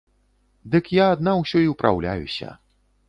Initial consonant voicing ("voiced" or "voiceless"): voiced